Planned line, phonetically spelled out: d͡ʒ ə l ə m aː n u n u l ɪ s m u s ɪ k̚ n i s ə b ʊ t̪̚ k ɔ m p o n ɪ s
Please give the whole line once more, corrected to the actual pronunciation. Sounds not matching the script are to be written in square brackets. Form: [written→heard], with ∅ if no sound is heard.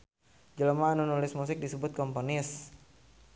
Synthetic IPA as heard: d͡ʒ ə l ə m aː n u n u l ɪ s m u s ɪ k̚ [n→d] i s ə b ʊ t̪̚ k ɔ m p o n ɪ s